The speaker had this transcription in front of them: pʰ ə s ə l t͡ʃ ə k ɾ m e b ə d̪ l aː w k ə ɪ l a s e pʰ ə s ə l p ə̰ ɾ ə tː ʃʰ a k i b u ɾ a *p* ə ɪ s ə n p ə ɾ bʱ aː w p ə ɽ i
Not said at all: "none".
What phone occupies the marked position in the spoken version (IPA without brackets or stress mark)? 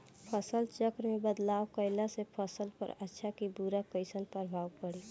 k